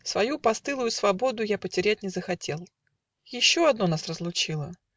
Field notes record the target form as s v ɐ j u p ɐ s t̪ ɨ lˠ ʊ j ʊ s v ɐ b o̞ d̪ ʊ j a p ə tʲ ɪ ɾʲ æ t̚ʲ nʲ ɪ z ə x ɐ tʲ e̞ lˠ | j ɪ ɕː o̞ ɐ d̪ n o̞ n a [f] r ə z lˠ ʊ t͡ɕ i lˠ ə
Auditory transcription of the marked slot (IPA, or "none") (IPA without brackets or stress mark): s